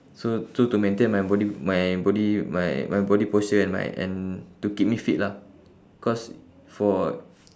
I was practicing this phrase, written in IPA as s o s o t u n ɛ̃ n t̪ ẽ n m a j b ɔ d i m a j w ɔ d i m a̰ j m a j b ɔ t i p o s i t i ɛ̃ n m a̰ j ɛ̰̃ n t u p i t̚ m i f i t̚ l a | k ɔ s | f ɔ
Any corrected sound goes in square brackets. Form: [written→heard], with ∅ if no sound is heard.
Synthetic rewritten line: s o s o t u [n→m] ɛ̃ n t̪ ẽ n m a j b ɔ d i m a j [w→b] ɔ d i m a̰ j m a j b ɔ [t→d] i p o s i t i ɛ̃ n m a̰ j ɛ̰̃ n t u [p→k] i [t̚→p̚] m i f i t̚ l a | k ɔ s | f ɔ